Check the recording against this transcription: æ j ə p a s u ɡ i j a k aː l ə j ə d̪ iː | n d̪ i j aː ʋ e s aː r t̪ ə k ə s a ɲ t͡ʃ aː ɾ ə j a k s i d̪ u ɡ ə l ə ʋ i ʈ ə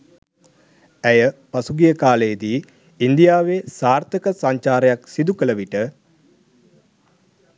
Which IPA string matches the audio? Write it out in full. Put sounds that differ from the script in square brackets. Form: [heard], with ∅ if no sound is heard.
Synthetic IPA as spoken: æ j ə p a s u ɡ i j [ə] k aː l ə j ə d̪ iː | n d̪ i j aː ʋ e s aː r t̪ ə k ə s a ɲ t͡ʃ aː ɾ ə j a k s i d̪ u [k] ə l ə ʋ i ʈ ə